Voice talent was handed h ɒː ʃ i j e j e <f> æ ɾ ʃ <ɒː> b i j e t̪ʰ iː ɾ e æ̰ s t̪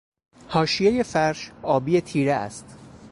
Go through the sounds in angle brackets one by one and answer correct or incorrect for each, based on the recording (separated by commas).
correct, correct